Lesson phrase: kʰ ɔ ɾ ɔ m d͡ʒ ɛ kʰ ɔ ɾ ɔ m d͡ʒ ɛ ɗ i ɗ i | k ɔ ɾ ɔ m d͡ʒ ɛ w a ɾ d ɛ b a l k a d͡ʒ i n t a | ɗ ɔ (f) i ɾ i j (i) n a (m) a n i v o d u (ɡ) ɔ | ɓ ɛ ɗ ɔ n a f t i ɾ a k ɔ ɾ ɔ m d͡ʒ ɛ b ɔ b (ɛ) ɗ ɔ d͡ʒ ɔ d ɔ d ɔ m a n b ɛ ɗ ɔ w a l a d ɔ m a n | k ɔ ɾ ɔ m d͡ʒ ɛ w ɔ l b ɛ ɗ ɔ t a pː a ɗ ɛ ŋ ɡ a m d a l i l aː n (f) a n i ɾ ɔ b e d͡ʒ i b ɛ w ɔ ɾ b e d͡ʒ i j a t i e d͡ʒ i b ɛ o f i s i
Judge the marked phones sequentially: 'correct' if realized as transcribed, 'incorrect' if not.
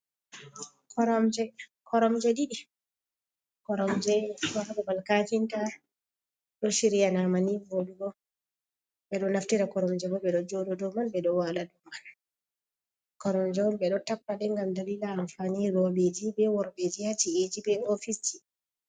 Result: incorrect, incorrect, correct, correct, correct, correct

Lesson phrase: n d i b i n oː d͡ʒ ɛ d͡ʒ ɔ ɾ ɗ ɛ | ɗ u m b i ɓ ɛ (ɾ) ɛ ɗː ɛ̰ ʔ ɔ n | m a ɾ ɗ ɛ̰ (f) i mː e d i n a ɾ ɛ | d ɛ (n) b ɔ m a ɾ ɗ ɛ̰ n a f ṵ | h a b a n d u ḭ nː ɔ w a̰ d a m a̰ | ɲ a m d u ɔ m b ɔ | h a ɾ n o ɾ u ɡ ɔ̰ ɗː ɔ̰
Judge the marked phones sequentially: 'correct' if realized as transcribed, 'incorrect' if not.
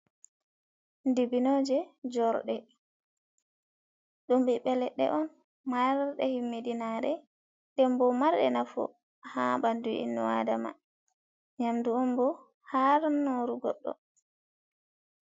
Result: incorrect, incorrect, incorrect

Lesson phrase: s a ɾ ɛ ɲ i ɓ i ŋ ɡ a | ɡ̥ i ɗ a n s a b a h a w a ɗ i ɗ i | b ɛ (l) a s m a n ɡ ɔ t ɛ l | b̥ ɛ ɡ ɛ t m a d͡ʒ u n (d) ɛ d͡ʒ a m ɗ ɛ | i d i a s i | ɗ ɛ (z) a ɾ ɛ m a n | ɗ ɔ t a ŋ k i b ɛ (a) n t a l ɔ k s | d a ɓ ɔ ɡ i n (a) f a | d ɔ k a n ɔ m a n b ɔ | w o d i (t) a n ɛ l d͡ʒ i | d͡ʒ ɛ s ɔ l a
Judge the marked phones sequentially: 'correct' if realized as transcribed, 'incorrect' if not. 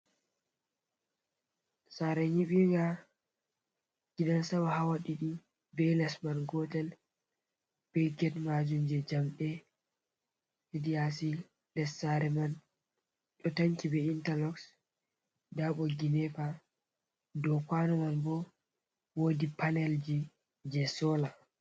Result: correct, incorrect, incorrect, incorrect, incorrect, incorrect

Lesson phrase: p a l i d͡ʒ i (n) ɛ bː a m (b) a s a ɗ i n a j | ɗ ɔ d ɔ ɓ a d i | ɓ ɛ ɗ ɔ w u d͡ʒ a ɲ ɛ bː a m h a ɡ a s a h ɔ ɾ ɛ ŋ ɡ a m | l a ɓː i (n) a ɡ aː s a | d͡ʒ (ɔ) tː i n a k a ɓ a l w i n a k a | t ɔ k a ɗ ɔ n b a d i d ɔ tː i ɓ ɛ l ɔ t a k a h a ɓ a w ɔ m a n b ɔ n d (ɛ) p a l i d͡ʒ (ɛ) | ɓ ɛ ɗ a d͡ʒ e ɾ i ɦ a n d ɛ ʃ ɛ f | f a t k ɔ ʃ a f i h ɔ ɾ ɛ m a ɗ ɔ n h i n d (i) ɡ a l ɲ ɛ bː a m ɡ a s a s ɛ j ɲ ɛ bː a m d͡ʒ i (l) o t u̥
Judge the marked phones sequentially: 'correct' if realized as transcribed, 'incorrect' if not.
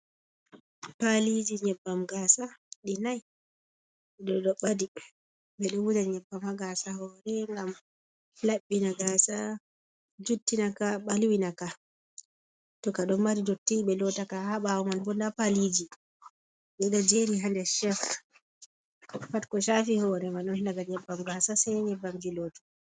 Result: incorrect, incorrect, correct, incorrect, incorrect, incorrect, incorrect, correct

